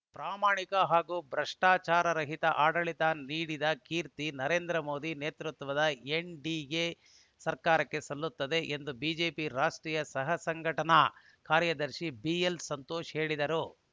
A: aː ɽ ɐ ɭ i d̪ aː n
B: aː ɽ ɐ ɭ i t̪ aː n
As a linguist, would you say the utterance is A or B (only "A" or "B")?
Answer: B